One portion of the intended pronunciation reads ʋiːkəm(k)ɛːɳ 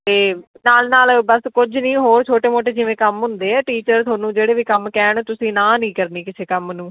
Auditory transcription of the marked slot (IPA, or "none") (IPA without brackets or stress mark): k